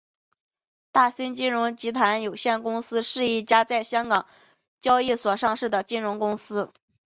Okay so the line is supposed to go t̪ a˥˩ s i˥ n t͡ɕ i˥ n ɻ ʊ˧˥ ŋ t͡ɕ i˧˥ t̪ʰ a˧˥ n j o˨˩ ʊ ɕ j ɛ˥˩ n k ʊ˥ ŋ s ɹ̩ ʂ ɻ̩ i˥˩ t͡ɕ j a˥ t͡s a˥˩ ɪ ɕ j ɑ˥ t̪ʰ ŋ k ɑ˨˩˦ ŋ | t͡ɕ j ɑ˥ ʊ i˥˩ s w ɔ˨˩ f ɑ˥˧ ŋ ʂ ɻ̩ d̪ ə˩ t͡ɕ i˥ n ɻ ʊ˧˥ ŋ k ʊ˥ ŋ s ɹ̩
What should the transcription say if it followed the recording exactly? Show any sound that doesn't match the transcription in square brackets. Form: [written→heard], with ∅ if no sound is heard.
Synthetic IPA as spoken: t̪ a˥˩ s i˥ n t͡ɕ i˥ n ɻ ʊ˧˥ ŋ t͡ɕ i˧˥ t̪ʰ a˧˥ n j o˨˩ ʊ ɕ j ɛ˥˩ n k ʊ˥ ŋ s ɹ̩ ʂ ɻ̩ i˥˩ t͡ɕ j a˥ t͡s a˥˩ ɪ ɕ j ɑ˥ [t̪ʰ→∅] ŋ k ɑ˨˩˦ ŋ | t͡ɕ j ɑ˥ ʊ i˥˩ s w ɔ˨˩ [f→ʂ] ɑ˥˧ ŋ ʂ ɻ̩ d̪ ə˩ t͡ɕ i˥ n ɻ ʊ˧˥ ŋ k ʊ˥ ŋ s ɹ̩